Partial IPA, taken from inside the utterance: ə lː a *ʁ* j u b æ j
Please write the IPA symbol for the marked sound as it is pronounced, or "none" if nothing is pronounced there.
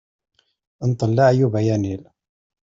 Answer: ʕ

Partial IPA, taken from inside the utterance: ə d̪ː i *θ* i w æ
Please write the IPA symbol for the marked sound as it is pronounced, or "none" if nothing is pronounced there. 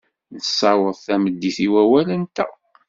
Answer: θ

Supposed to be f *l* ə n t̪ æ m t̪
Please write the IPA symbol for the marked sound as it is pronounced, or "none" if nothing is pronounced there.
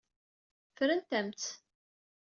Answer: ɾ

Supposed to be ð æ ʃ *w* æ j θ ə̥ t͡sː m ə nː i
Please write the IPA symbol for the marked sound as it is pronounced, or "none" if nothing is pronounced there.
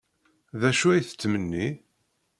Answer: u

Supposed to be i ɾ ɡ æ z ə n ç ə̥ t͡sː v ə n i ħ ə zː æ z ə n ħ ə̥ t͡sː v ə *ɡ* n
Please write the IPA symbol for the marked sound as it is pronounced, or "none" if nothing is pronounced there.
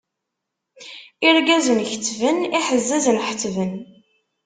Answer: none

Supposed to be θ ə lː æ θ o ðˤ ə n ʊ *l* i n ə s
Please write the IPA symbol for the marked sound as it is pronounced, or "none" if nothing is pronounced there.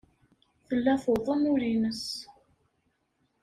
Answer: ɾ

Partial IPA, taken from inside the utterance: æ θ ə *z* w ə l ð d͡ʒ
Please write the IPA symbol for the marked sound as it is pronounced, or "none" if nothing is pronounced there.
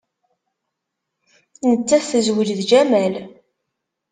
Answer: z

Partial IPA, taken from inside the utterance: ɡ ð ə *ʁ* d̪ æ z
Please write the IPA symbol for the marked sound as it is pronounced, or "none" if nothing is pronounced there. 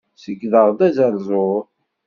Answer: ʁ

